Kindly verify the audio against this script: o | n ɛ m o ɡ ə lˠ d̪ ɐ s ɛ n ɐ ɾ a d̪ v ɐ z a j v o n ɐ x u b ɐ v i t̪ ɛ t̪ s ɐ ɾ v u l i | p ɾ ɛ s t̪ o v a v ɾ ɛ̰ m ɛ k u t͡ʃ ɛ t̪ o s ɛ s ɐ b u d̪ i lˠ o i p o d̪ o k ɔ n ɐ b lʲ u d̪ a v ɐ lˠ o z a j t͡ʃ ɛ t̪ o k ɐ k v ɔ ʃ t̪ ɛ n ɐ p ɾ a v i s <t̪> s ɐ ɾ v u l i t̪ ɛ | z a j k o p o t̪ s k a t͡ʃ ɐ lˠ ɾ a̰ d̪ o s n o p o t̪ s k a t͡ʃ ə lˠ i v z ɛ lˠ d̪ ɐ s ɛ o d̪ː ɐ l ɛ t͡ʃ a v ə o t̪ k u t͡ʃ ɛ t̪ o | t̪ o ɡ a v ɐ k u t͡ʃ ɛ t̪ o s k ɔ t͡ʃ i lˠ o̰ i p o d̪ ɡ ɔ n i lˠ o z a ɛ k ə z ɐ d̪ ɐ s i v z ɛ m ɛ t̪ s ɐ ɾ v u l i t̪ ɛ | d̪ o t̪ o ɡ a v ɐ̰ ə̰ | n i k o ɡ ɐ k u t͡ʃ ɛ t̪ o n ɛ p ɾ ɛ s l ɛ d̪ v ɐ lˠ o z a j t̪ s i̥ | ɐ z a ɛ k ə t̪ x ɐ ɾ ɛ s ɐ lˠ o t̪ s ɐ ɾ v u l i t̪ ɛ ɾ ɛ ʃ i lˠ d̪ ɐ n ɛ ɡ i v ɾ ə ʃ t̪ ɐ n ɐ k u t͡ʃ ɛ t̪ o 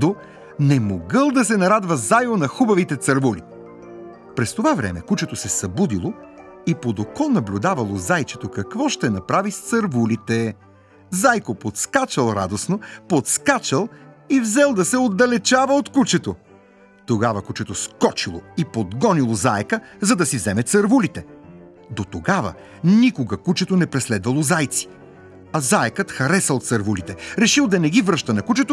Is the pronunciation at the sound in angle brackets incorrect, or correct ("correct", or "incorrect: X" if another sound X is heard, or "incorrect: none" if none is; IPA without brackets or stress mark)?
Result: correct